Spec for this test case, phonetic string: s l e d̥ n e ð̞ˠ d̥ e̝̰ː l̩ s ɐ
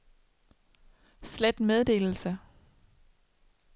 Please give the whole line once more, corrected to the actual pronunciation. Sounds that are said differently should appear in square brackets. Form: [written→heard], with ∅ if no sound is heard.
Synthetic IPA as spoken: s l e d̥ [n→m] e ð̞ˠ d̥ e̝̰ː l̩ s [ɐ→ə]